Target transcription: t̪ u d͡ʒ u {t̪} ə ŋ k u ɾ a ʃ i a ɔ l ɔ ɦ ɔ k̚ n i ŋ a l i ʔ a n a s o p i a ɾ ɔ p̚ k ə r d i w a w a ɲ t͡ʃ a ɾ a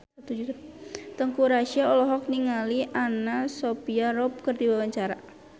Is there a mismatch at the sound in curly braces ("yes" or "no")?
no